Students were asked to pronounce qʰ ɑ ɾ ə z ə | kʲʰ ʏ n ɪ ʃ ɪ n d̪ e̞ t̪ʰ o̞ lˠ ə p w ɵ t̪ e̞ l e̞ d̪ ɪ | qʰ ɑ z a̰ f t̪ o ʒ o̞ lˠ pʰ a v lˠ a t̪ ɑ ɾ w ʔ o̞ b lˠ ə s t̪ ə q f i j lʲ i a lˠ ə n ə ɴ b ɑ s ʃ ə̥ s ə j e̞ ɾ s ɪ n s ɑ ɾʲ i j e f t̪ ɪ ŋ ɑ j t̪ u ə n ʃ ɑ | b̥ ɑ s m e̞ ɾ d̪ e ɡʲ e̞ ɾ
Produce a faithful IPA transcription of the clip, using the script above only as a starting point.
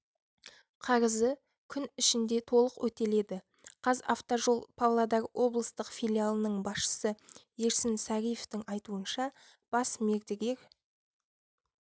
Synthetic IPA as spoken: qʰ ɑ ɾ ə z ə | kʲʰ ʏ n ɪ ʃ ɪ n d̪ e̞ t̪ʰ o̞ lˠ ə q w ɵ t̪ e̞ l e̞ d̪ ɪ | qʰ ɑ z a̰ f t̪ o ʒ o̞ lˠ pʰ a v lˠ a d̪ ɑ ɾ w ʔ o̞ b lˠ ə s t̪ ə q f i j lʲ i a lˠ ə n ə ɴ b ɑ s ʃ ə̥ s ə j e̞ ɾ s ɪ n s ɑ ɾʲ i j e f t̪ ɪ ŋ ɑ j t̪ u ə n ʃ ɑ | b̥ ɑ s m e̞ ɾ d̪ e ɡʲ e̞ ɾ